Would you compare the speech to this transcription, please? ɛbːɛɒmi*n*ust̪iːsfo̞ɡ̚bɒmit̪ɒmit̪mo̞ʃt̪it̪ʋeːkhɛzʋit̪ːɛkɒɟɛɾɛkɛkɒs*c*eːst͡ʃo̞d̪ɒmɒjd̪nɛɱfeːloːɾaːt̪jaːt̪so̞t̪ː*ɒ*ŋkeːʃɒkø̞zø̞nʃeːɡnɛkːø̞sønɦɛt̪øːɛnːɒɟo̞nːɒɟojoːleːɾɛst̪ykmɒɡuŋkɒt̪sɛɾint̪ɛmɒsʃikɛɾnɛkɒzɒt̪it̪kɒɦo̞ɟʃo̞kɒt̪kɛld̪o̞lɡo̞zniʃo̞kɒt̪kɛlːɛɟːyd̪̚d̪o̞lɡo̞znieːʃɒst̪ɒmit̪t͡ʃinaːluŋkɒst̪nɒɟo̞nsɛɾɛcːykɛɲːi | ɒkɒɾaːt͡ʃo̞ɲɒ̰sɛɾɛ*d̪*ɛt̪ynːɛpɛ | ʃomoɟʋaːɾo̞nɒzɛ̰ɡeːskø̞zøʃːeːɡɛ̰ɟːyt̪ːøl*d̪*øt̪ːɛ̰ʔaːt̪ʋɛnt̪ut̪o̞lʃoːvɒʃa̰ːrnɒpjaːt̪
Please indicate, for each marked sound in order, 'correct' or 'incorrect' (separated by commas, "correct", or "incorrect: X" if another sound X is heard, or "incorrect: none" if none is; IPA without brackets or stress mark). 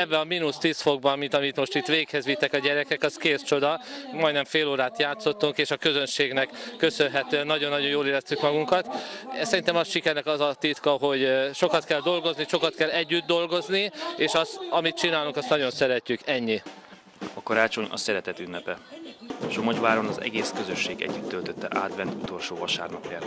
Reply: correct, incorrect: k, incorrect: u, incorrect: t̪, incorrect: t̪